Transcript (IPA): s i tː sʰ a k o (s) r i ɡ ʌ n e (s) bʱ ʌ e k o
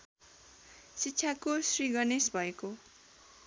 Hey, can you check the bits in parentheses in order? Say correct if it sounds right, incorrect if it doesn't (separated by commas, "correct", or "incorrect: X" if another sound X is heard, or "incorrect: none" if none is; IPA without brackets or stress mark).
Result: correct, correct